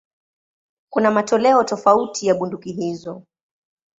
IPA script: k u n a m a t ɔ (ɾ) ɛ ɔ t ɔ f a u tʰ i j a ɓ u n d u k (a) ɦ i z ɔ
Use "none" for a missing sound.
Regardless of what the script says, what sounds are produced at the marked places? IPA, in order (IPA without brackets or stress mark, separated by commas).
l, i